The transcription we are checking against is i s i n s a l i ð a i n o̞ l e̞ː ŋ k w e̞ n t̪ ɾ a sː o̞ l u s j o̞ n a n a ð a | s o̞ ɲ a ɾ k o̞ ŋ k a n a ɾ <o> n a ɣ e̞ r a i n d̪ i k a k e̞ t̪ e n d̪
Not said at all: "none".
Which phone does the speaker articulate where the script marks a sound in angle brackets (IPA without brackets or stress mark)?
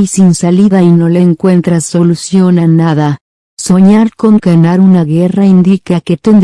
u